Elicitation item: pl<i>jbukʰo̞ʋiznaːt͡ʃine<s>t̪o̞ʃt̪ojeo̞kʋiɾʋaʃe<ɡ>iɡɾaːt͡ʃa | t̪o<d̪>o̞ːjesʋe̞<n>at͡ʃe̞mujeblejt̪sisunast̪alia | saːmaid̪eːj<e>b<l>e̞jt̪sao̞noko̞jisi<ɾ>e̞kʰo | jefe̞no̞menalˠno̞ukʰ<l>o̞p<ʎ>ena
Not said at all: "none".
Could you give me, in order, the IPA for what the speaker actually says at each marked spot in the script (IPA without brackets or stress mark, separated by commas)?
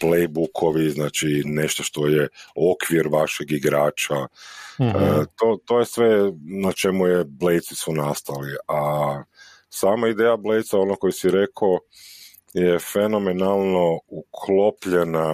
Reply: e, ʃ, ɡ, t̪, n, a, l, ɾ, l, ʎ